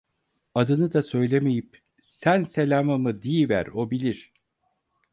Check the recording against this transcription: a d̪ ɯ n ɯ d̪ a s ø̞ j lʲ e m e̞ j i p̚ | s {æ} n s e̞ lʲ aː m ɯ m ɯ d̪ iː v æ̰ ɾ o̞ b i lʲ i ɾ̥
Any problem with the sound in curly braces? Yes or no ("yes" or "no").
no